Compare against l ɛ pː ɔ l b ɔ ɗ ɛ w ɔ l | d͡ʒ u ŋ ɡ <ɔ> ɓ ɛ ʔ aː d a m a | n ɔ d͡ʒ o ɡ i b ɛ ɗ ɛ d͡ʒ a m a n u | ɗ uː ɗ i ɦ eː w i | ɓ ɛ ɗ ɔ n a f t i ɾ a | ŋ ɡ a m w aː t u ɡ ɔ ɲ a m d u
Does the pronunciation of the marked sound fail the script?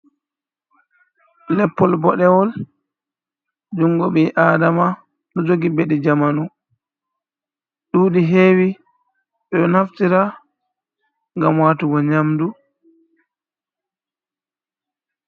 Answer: no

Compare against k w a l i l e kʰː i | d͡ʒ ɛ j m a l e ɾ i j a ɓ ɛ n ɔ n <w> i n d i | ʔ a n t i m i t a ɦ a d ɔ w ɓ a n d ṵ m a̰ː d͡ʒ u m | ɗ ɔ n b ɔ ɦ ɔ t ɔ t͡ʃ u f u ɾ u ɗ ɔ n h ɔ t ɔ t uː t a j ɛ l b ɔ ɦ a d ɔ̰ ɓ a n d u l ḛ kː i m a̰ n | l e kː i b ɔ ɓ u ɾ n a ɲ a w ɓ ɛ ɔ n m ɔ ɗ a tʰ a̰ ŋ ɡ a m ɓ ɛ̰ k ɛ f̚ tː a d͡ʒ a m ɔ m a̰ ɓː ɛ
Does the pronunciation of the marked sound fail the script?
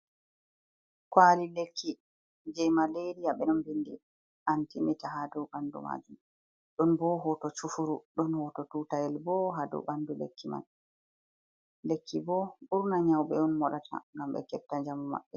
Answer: yes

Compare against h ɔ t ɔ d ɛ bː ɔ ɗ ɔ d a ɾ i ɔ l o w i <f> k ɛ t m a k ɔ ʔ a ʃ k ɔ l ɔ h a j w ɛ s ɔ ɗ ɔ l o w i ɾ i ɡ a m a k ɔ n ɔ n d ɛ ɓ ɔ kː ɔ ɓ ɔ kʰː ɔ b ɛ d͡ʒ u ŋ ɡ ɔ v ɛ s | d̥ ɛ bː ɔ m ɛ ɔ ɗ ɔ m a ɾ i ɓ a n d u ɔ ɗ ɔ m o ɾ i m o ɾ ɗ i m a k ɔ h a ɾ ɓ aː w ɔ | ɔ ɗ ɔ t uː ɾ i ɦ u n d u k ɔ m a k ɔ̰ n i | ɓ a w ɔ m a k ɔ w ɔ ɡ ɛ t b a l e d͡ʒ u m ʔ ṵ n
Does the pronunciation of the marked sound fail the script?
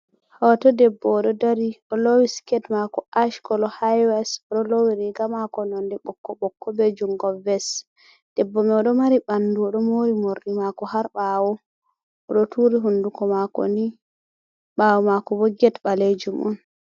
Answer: yes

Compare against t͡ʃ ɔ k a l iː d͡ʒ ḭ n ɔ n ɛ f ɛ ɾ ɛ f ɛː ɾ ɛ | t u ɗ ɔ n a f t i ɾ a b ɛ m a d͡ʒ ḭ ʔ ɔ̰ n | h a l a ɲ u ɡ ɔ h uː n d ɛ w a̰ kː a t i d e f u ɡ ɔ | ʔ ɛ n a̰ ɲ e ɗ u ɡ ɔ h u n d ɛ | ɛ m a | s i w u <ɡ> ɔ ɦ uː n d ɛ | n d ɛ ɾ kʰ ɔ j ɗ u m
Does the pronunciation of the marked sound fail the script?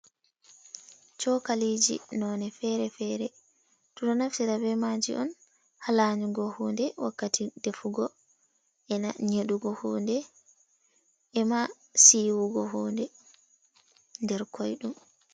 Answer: no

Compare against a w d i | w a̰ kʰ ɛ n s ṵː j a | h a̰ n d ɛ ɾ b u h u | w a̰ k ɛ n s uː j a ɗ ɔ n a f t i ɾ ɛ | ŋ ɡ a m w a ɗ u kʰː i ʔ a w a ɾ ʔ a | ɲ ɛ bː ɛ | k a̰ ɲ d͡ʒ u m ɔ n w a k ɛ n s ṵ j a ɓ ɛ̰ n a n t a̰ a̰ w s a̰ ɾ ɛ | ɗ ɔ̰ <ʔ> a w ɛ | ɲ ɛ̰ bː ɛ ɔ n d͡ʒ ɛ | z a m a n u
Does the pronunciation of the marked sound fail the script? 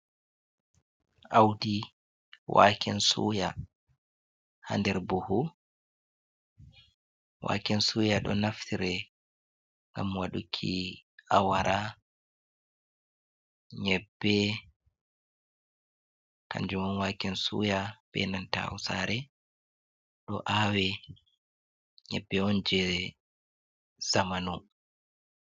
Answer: no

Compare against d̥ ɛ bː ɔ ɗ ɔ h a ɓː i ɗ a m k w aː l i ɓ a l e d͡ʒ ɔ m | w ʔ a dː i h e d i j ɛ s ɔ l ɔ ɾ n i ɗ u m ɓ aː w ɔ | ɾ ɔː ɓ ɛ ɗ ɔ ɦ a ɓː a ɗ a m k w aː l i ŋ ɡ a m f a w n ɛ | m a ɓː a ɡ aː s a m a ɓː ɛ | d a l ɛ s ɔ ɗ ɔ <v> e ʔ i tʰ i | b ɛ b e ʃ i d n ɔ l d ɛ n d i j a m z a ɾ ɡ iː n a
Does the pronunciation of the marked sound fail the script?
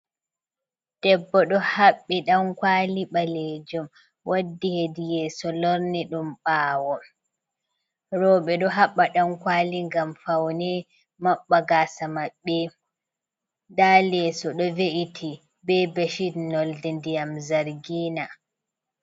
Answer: no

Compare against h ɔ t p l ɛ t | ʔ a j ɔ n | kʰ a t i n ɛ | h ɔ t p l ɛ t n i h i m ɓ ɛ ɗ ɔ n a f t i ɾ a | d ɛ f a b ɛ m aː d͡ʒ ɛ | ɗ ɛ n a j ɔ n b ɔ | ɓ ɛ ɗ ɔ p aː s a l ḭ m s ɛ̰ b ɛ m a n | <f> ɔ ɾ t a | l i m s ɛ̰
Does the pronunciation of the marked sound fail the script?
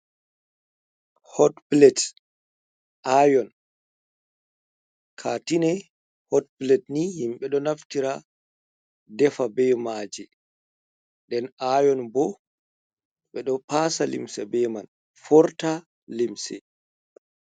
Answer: no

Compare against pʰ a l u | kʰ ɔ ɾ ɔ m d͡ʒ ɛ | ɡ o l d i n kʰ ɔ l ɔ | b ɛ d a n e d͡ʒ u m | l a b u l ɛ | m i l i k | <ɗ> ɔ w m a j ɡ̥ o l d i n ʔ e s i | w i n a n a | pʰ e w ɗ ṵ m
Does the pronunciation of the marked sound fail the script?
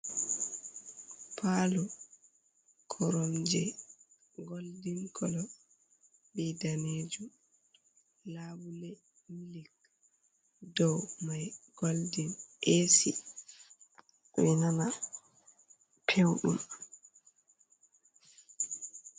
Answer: yes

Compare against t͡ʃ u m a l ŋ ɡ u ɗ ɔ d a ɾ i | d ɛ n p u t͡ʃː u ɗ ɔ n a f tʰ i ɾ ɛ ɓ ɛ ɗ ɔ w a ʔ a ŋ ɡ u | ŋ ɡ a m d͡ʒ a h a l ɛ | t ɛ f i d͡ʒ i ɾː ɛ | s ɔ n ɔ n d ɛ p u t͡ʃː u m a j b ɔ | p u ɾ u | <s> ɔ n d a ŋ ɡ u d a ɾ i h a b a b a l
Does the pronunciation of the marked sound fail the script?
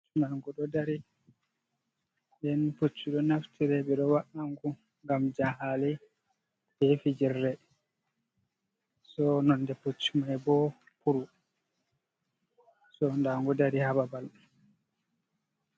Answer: no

